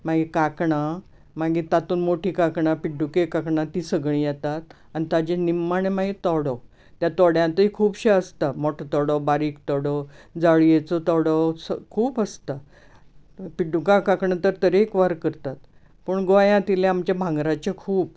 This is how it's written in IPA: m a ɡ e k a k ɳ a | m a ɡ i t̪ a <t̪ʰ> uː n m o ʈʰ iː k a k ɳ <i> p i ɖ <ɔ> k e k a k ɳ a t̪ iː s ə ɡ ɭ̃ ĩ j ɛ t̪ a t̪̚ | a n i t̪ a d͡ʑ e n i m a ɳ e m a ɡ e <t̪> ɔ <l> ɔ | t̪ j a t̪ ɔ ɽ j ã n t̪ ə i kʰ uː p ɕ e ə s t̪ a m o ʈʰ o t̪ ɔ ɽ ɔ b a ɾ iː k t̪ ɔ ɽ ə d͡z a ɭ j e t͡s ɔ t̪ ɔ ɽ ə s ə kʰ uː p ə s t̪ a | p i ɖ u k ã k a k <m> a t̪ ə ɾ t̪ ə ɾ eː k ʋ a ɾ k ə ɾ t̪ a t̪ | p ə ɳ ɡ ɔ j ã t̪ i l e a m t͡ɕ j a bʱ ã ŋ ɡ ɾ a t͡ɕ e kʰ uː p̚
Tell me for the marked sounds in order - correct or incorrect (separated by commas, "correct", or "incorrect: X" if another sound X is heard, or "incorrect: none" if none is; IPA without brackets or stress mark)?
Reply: incorrect: t̪, incorrect: a, incorrect: u, correct, incorrect: ɽ, incorrect: ɳ